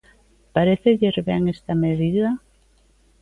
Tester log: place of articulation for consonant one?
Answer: labial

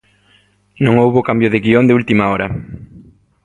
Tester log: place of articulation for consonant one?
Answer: alveolar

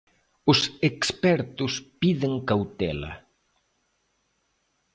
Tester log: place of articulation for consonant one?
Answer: alveolar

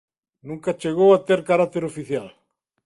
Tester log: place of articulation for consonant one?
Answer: alveolar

